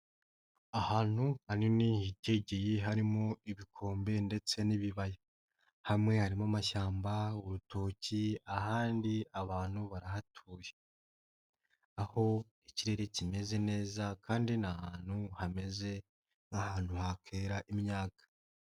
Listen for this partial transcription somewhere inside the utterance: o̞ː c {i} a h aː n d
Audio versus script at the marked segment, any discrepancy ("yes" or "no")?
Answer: no